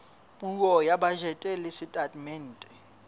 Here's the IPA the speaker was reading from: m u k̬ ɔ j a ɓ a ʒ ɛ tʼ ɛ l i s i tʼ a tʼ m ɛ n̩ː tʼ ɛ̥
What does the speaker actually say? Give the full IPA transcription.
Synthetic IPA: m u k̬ ɔ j a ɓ a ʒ ɛ tʼ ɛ l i s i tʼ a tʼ m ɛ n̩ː tʼ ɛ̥